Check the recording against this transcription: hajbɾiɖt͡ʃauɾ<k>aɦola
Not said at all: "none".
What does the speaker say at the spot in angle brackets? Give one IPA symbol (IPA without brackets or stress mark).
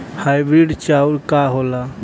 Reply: k